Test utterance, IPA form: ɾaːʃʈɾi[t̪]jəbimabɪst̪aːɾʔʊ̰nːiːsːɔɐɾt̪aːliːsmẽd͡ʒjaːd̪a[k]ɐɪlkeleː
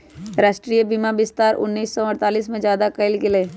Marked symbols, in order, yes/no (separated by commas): no, yes